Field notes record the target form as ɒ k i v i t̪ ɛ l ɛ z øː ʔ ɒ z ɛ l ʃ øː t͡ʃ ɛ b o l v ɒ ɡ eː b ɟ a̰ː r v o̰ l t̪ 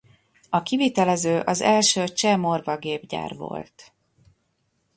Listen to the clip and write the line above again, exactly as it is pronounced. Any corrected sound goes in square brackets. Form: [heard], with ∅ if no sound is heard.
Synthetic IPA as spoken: ɒ k i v i t̪ ɛ l ɛ z øː ʔ ɒ z ɛ l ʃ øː t͡ʃ ɛ [m] o [r] v ɒ ɡ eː b ɟ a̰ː r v o̰ l t̪

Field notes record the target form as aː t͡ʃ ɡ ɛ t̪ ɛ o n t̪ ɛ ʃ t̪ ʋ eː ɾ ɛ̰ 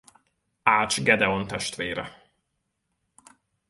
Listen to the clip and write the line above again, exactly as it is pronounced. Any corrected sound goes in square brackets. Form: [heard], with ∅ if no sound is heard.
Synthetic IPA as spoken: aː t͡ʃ ɡ ɛ [d̪] ɛ o n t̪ ɛ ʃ t̪ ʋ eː ɾ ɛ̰

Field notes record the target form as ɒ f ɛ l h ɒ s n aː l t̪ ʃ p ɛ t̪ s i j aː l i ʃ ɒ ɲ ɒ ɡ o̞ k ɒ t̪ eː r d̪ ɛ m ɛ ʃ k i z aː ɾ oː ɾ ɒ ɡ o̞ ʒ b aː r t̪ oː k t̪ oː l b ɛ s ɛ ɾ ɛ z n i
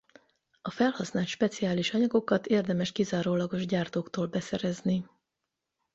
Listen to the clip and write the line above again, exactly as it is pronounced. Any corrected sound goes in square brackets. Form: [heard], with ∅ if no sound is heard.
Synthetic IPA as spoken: ɒ f ɛ l h ɒ s n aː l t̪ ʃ p ɛ t̪ s i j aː l i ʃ ɒ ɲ ɒ ɡ o̞ k ɒ t̪ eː r d̪ ɛ m ɛ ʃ k i z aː ɾ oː [l] ɒ ɡ o̞ ʒ [ɟ] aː r t̪ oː k t̪ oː l b ɛ s ɛ ɾ ɛ z n i

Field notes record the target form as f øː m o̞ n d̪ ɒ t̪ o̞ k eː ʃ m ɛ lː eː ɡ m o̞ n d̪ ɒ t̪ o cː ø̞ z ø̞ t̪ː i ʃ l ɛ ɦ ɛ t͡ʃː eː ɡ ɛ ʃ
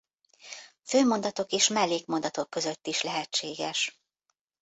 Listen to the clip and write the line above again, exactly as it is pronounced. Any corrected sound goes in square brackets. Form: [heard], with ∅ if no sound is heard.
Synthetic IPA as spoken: f øː m o̞ n d̪ ɒ t̪ o̞ k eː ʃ m ɛ lː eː [k] m o̞ n d̪ ɒ t̪ o [kː] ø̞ z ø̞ t̪ː i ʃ l ɛ ɦ ɛ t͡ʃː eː ɡ ɛ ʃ

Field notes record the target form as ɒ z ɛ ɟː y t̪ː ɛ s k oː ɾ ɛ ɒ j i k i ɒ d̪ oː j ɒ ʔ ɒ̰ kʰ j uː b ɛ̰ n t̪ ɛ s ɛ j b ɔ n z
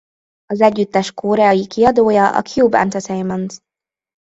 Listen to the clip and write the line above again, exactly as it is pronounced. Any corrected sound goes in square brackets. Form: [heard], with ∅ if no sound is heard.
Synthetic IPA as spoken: ɒ z ɛ ɟː y t̪ː ɛ [ʃ] k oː ɾ ɛ ɒ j i k i ɒ d̪ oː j ɒ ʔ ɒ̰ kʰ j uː b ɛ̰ n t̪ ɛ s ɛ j [m] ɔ n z

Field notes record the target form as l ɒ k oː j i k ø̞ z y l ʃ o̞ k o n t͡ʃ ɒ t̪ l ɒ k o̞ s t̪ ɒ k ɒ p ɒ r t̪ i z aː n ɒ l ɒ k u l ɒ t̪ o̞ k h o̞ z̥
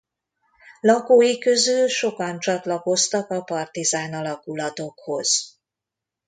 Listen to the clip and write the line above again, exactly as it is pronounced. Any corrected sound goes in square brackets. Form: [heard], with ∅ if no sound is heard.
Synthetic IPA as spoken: l ɒ k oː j i k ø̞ z y l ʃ o̞ k [ɒ] n t͡ʃ ɒ t̪ l ɒ k o̞ s t̪ ɒ k ɒ p ɒ r t̪ i z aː n ɒ l ɒ k u l ɒ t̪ o̞ k h o̞ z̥

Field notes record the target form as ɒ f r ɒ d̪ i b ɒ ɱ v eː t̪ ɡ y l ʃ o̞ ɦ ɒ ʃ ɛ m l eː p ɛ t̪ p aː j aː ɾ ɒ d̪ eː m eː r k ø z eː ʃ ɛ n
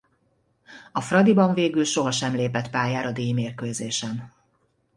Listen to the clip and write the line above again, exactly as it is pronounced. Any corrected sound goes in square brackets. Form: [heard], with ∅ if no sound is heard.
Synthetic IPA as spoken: ɒ f r ɒ d̪ i b ɒ ɱ v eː [∅] ɡ y l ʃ o̞ ɦ ɒ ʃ ɛ m l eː p ɛ t̪ p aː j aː ɾ ɒ d̪ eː m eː r k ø z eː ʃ ɛ n

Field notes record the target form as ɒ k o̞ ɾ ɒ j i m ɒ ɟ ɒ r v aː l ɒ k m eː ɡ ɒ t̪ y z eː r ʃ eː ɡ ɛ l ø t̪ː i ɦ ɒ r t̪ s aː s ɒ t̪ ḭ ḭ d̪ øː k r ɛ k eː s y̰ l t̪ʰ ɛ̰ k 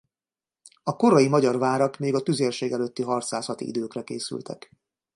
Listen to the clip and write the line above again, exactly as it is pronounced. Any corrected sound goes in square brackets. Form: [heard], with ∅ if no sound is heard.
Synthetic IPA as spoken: ɒ k o̞ ɾ ɒ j i m ɒ ɟ ɒ r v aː [ɾ] ɒ k m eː ɡ ɒ t̪ y z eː r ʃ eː ɡ ɛ l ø t̪ː i ɦ ɒ r t̪ s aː s ɒ t̪ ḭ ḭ d̪ øː k r ɛ k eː s y̰ l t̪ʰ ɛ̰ k

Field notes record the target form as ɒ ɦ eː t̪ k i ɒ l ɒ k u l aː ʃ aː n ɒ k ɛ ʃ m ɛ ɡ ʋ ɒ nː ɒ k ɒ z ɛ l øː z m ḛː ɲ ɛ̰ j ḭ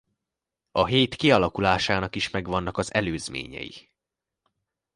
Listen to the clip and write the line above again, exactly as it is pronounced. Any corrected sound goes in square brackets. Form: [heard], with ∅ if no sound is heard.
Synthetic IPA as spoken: ɒ ɦ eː t̪ k i ɒ l ɒ k u l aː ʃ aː n ɒ k [i] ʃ m ɛ ɡ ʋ ɒ nː ɒ k ɒ z ɛ l øː z m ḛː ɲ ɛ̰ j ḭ

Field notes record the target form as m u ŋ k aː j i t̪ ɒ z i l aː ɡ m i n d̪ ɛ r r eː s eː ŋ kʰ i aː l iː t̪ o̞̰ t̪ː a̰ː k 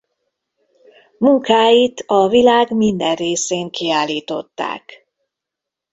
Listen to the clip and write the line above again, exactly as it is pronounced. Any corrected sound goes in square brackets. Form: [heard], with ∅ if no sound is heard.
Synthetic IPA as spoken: m u ŋ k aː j i t̪ ɒ [v] i l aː ɡ m i n d̪ ɛ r r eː s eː ŋ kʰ i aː l iː t̪ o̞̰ t̪ː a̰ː k

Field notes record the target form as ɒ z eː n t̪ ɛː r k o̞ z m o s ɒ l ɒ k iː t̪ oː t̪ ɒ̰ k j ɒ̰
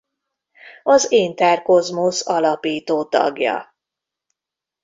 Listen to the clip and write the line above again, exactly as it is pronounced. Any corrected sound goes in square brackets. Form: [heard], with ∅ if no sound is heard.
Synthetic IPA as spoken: ɒ z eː n t̪ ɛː r k o̞ z m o s ɒ l ɒ [p] iː t̪ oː t̪ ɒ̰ [ɡ] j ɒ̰

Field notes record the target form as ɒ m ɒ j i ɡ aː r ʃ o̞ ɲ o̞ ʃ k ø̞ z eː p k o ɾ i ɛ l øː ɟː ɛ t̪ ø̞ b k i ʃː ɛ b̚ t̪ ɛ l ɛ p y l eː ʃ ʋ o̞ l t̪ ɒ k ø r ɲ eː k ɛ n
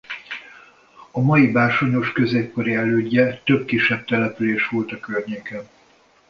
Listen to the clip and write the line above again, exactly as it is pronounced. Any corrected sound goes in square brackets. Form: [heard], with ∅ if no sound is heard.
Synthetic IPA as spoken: ɒ m ɒ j i [b] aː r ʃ o̞ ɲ o̞ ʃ k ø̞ z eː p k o ɾ i ɛ l øː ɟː ɛ t̪ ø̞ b k i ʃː ɛ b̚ t̪ ɛ l ɛ p y l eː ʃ ʋ o̞ l t̪ ɒ k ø r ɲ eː k ɛ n

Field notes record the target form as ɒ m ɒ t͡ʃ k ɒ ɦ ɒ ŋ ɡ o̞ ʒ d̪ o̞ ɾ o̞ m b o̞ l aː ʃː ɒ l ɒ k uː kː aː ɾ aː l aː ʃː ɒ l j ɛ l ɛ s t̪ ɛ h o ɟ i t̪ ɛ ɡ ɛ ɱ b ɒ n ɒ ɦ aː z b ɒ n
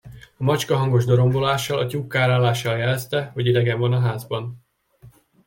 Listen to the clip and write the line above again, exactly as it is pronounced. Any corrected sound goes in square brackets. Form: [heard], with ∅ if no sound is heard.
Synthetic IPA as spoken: ɒ m ɒ t͡ʃ k ɒ ɦ ɒ ŋ ɡ o̞ ʒ d̪ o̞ ɾ o̞ m b o̞ l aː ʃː ɒ l ɒ [c] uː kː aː ɾ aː l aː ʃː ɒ l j ɛ l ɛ s t̪ ɛ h o ɟ i [d̪] ɛ ɡ ɛ ɱ [v] ɒ n ɒ ɦ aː z b ɒ n

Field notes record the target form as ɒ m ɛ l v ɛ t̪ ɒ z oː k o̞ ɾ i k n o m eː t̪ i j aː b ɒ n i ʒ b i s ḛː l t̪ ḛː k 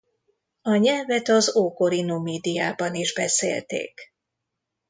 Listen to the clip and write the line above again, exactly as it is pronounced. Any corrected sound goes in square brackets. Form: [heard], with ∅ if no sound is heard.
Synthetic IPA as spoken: ɒ [ɲ] ɛ l v ɛ t̪ ɒ z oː k o̞ ɾ i [∅] n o m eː [d̪] i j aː b ɒ n i ʒ b [ɛ] s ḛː l t̪ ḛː k

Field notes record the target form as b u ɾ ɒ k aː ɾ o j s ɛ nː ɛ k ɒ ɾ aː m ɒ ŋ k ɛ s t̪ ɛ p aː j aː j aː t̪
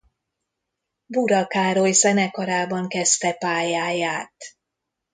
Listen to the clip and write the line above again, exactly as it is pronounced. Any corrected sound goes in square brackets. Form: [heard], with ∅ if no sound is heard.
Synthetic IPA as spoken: b u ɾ ɒ k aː ɾ o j s ɛ [n] ɛ k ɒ ɾ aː [b] ɒ ŋ k ɛ s t̪ ɛ p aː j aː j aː t̪

